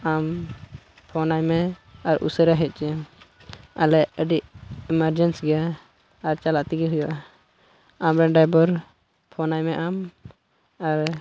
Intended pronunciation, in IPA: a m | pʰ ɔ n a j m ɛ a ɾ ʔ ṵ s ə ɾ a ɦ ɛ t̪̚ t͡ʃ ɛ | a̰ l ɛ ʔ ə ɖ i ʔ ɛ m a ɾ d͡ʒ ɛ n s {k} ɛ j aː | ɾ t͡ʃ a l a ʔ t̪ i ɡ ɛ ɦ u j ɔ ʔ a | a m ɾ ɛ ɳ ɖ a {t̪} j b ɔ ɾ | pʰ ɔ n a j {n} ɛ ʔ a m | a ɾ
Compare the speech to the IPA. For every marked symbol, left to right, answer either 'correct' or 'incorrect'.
incorrect, incorrect, incorrect

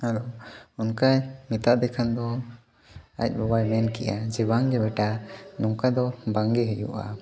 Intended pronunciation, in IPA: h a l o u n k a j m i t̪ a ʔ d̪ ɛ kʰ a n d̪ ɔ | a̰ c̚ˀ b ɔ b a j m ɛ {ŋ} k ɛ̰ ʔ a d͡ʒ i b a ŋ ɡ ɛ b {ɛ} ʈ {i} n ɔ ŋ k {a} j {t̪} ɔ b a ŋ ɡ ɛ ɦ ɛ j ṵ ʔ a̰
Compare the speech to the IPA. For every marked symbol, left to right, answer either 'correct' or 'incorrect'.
incorrect, correct, incorrect, correct, incorrect

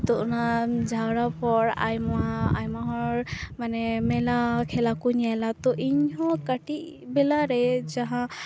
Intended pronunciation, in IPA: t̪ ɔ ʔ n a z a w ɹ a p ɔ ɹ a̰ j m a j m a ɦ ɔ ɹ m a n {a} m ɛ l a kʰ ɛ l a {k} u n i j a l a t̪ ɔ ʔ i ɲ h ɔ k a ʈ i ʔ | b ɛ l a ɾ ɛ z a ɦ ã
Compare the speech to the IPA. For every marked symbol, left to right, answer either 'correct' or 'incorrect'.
incorrect, correct

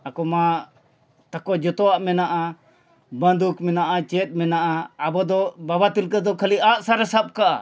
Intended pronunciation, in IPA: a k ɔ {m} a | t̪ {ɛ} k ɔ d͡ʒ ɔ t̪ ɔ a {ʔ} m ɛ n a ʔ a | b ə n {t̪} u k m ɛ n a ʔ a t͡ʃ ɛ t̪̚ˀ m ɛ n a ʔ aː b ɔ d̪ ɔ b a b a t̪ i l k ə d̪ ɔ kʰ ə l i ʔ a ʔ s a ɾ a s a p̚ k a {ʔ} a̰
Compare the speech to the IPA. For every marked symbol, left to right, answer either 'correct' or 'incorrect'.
correct, incorrect, correct, incorrect, correct

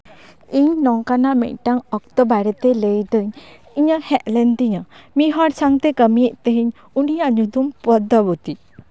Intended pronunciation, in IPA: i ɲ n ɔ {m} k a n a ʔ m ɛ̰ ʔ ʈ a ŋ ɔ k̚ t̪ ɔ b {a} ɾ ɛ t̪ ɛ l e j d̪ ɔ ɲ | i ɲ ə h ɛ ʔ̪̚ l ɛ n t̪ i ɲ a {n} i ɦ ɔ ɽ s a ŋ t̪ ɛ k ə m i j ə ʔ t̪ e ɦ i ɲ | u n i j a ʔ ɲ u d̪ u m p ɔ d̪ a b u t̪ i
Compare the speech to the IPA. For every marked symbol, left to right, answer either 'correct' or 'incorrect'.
incorrect, correct, incorrect

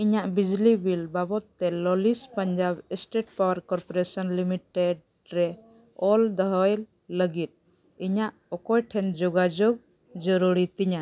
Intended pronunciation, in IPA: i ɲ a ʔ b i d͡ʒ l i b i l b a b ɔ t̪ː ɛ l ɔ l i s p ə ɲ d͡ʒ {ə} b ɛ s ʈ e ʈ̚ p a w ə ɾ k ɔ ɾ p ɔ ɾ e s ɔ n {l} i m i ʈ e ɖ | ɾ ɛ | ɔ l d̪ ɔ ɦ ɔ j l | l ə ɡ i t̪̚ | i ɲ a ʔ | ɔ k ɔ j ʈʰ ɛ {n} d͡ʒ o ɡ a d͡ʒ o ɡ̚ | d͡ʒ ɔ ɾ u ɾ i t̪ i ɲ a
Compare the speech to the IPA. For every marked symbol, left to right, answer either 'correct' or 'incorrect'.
incorrect, correct, correct

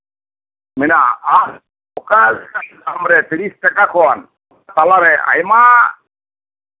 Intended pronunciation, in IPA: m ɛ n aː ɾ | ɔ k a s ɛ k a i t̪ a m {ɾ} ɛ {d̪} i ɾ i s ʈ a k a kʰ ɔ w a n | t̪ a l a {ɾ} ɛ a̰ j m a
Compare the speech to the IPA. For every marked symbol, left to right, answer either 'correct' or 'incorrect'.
correct, incorrect, correct

